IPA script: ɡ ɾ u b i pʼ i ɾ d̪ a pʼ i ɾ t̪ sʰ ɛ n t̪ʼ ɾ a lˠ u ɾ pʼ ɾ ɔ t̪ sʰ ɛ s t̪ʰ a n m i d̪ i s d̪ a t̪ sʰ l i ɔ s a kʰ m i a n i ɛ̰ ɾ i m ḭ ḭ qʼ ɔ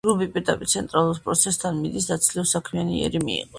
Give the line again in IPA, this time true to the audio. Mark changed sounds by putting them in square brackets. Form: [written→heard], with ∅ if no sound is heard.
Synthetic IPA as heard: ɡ ɾ u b i pʼ i ɾ d̪ a pʼ i ɾ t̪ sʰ ɛ n t̪ʼ ɾ a lˠ u ɾ pʼ ɾ ɔ t̪ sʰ ɛ s t̪ʰ a n m i d̪ i s d̪ a t̪ sʰ l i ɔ s a kʰ m i a n i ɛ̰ ɾ i m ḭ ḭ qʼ ɔ